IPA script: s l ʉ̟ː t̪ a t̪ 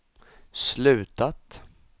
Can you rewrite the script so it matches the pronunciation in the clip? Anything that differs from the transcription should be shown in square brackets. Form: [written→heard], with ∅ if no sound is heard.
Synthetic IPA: s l ʉ̟ː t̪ a t̪